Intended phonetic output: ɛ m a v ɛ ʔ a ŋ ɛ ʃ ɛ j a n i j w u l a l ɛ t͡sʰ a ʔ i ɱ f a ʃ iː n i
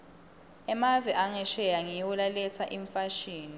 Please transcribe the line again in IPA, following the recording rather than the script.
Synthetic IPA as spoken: ɛ m a v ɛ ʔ a ŋ ɛ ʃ ɛ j a ŋ i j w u l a l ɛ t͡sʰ a ʔ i ɱ f a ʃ iː n i